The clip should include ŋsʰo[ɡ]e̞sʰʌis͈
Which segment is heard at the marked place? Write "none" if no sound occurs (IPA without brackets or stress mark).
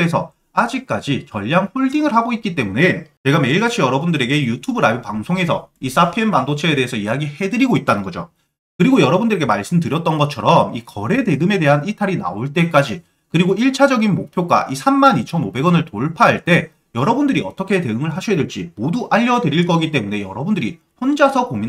ŋ